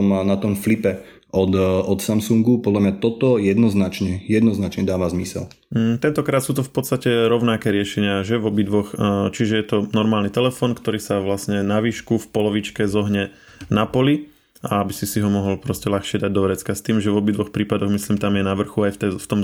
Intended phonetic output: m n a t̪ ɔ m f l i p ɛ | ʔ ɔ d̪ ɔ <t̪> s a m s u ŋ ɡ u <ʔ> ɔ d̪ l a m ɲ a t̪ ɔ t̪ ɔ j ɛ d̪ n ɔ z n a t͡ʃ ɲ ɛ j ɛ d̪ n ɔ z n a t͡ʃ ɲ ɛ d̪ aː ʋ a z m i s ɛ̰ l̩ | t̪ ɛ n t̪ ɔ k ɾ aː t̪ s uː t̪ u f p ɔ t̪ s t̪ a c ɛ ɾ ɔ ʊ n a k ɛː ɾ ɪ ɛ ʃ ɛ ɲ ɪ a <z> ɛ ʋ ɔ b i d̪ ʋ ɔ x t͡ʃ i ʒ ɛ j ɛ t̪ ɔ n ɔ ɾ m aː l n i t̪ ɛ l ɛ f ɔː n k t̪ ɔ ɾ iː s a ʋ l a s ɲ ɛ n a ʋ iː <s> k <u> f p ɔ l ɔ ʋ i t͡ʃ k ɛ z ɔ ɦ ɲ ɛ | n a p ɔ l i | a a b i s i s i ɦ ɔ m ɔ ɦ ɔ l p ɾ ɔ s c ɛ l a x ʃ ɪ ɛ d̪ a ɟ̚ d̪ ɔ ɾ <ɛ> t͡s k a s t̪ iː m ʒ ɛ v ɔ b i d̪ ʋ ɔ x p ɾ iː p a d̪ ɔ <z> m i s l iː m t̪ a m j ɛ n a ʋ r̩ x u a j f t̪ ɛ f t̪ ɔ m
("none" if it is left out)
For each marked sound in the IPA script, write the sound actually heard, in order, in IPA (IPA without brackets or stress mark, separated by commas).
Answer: t̪, p, ʒ, ʃ, u, ɛ, ɣ